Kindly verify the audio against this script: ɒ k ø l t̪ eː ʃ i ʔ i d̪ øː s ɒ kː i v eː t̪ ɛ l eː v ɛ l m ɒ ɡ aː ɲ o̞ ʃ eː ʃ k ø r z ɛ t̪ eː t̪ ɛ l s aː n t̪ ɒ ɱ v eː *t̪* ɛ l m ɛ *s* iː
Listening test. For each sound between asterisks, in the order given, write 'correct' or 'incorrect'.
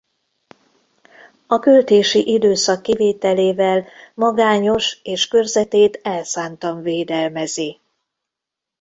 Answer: incorrect, incorrect

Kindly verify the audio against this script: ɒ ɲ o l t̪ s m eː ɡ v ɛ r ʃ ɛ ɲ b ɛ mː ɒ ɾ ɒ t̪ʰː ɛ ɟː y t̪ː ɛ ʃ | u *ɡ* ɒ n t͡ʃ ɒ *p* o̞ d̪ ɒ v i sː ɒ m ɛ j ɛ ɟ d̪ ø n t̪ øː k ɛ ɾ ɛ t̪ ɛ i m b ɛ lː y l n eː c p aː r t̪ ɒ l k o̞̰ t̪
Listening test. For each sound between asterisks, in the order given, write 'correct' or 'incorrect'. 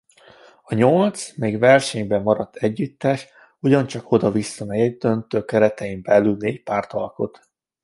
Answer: incorrect, incorrect

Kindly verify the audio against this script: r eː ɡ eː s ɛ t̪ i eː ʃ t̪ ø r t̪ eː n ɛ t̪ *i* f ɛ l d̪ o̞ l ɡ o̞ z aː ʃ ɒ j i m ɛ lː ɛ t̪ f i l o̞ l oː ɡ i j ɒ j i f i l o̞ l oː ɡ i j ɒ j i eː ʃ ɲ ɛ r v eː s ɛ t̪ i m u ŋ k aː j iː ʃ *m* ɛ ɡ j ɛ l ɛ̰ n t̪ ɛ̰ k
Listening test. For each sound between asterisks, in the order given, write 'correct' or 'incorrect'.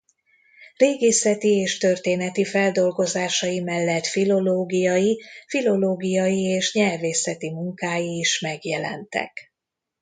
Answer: correct, correct

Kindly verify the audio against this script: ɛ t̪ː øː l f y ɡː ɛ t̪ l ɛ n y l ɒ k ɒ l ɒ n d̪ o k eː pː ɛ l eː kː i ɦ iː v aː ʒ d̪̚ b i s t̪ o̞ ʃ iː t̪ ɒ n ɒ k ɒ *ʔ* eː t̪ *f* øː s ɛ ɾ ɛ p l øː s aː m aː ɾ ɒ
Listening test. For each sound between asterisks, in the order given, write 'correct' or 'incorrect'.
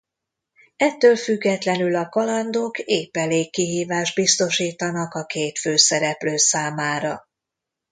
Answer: incorrect, correct

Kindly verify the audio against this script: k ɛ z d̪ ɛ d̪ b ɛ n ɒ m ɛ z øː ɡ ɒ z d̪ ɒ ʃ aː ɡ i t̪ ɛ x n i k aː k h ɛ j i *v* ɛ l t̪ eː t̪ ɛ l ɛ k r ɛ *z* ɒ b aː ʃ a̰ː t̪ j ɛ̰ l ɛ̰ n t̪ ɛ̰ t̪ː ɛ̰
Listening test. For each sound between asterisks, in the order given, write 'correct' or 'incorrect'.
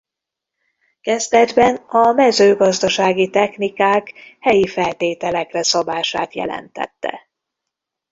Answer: incorrect, incorrect

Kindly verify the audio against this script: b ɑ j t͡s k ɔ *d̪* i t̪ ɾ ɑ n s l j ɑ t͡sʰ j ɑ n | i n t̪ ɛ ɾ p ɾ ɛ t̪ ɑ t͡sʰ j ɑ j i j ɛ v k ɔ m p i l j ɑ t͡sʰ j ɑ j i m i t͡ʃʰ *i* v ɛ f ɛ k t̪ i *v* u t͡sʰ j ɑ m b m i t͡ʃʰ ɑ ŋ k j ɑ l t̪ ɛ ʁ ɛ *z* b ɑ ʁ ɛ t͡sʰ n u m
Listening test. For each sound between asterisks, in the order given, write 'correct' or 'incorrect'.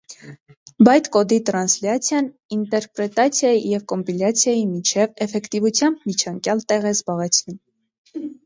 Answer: correct, incorrect, correct, correct

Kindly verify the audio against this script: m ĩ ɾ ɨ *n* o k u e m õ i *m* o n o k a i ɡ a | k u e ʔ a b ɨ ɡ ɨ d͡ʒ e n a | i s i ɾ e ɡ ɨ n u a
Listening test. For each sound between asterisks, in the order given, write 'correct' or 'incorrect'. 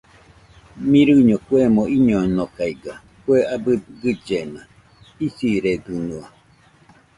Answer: incorrect, incorrect

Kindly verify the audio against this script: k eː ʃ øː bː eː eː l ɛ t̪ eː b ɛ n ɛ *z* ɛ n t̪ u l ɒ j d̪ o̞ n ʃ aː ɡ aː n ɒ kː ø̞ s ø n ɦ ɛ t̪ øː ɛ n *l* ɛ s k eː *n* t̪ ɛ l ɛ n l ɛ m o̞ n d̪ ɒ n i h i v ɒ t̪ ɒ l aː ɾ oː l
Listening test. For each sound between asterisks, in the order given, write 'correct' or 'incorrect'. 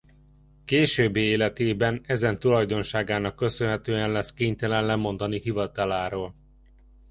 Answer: correct, correct, incorrect

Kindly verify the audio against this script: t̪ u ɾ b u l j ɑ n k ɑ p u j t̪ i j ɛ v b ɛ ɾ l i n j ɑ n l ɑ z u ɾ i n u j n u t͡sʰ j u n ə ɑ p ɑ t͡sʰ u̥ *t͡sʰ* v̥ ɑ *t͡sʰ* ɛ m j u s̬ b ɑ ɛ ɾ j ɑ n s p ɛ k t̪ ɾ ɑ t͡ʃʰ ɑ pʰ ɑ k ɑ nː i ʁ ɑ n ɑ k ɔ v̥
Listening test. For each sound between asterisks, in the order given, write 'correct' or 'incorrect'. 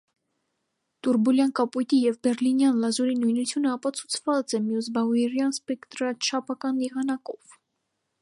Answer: correct, incorrect

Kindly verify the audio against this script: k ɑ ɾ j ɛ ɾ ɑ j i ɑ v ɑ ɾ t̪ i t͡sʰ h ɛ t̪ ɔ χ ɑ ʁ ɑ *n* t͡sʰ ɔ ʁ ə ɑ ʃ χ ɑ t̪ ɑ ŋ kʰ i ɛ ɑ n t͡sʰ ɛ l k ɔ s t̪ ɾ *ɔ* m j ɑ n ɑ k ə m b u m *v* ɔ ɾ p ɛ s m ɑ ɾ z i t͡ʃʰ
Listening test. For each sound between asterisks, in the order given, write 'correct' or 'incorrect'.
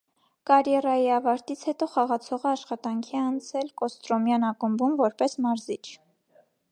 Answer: incorrect, correct, correct

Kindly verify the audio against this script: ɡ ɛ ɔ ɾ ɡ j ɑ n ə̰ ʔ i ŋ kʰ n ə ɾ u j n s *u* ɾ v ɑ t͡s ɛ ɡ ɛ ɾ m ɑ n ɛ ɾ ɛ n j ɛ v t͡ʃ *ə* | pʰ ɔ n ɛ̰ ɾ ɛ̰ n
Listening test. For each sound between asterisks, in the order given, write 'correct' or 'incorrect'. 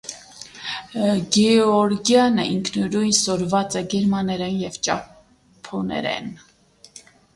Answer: incorrect, incorrect

